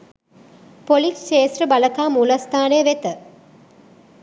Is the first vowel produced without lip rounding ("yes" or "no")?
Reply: no